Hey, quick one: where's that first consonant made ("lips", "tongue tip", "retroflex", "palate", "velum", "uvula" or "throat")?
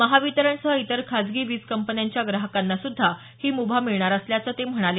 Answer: lips